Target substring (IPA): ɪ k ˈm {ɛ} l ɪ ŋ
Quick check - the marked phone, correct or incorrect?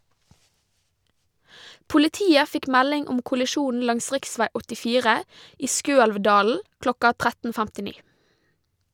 incorrect